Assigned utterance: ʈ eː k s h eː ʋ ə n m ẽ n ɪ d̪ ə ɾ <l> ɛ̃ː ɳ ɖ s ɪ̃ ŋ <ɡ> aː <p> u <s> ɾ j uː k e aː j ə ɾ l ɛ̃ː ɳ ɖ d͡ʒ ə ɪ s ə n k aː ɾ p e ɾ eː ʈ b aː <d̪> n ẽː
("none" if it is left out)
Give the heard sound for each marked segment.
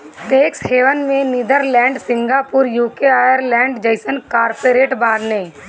l, ɡ, p, none, d̪

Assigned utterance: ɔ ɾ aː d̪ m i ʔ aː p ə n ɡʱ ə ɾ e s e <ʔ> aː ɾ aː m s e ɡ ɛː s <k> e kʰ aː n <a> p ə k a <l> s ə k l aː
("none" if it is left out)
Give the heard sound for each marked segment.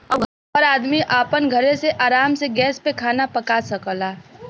ʔ, p, a, none

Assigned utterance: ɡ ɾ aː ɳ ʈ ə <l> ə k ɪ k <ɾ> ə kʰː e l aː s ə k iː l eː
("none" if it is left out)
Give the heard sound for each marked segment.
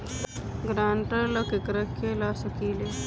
l, ɾ

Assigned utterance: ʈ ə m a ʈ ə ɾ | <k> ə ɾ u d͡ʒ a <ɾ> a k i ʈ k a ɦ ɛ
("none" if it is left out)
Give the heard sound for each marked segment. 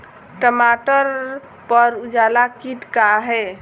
p, l

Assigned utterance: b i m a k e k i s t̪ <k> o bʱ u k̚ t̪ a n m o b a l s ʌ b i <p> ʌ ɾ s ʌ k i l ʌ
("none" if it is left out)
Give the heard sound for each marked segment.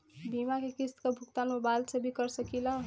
k, k

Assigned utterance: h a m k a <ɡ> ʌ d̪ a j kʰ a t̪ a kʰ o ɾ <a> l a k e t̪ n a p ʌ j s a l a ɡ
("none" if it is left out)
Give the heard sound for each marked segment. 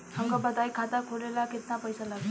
b, e

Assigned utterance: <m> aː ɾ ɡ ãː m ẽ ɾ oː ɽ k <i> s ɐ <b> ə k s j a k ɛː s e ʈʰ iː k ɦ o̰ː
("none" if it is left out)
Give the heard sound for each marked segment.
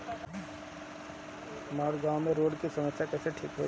m, i, m

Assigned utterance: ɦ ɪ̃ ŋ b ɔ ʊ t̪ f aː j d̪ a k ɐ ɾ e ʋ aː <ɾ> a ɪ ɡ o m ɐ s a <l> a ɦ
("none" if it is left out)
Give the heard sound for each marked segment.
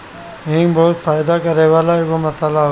l, l

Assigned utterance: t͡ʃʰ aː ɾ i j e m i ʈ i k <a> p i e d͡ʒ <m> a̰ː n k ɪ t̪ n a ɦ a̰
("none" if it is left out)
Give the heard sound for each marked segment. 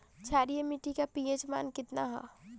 a, m

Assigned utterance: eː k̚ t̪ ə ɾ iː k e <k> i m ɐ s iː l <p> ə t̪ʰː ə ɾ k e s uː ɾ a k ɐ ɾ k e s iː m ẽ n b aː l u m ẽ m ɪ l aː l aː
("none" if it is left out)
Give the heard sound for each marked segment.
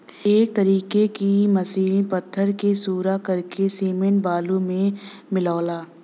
k, p

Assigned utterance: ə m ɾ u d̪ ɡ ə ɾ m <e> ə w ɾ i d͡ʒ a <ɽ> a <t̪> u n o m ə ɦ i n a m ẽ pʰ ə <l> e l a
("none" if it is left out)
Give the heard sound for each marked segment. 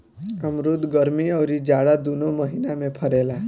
i, ɽ, d̪, ɾ

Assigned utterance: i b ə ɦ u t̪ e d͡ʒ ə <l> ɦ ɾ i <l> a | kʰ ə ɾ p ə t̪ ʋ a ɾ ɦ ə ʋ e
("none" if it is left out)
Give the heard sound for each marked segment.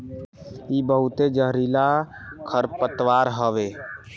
none, l

